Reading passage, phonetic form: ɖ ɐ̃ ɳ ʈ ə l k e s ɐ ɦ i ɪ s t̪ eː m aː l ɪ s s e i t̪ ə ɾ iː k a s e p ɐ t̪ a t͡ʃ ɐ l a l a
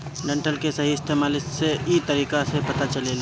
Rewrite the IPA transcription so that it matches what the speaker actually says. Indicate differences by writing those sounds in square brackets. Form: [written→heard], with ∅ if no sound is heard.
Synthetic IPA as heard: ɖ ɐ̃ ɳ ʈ ə l k e s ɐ ɦ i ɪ s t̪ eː m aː l ɪ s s e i t̪ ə ɾ iː k a s e p ɐ t̪ a t͡ʃ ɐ l [a→e] l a